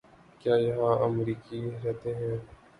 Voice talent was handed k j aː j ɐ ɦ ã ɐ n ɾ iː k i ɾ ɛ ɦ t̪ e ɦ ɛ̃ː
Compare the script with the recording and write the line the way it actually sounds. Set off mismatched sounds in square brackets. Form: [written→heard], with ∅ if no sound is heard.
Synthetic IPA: k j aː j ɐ ɦ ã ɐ [n→m] ɾ iː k i ɾ ɛ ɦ t̪ e ɦ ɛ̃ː